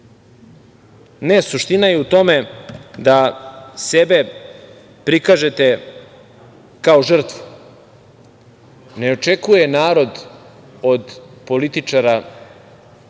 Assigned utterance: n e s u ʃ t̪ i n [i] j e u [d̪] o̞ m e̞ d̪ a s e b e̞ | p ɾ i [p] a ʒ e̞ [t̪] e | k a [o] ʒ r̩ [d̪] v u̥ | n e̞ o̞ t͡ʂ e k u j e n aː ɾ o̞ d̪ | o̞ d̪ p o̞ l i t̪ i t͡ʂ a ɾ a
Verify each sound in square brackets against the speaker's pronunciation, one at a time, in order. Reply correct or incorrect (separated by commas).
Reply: incorrect, incorrect, incorrect, correct, correct, incorrect